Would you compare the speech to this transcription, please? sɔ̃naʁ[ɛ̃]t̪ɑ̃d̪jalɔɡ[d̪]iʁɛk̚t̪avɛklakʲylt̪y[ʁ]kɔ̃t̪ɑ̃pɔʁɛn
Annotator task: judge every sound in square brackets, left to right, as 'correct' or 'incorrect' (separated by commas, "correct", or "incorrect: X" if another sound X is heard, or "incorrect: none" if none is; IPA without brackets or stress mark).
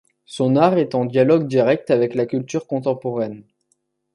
incorrect: ɛ, correct, correct